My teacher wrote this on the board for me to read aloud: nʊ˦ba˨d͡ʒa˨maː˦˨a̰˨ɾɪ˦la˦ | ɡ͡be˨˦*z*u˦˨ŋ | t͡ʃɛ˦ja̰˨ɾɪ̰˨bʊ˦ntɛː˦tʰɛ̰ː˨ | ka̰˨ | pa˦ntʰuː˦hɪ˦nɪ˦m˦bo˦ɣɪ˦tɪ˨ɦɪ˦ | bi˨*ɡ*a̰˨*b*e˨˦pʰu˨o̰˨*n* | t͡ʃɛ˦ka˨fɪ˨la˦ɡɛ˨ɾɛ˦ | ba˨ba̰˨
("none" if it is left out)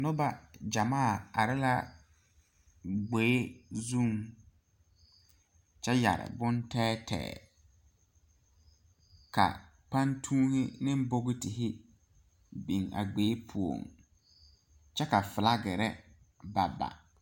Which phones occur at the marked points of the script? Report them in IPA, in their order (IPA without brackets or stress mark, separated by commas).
z, ŋ, ɡ͡b, ŋ